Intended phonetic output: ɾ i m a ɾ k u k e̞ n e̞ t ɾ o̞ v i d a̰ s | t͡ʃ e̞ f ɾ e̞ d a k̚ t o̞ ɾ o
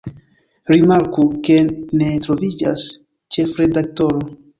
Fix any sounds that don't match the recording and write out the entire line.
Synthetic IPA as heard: ɾ i m a ɾ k u k e̞ n e̞ t ɾ o̞ v i d͡ʒ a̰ s | t͡ʃ e̞ f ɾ e̞ d a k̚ t o̞ ɾ o